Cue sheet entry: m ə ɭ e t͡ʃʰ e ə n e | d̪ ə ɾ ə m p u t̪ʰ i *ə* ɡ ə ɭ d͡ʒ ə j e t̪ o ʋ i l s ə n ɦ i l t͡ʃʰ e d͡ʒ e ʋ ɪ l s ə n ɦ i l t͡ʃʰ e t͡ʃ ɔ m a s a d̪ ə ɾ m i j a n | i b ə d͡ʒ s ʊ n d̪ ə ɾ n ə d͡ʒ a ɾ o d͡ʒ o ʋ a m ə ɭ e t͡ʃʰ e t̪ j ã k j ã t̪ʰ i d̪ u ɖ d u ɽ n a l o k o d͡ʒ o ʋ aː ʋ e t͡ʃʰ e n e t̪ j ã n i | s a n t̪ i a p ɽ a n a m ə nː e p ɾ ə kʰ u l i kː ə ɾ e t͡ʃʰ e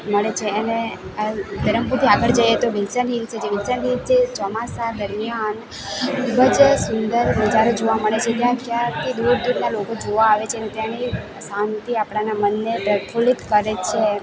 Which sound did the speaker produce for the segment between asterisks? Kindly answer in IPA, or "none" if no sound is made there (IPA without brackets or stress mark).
a